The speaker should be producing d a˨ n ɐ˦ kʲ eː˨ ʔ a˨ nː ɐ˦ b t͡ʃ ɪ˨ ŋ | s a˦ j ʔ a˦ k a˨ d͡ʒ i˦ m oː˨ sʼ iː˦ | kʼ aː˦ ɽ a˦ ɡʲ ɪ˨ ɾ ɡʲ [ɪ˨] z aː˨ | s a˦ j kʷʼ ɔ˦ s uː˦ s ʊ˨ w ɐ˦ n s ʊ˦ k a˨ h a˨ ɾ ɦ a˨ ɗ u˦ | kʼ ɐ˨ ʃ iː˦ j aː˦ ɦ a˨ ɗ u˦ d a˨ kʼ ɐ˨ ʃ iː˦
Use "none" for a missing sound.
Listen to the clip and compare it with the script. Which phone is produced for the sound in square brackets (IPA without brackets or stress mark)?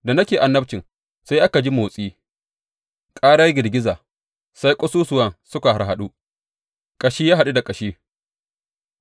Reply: ɪ˦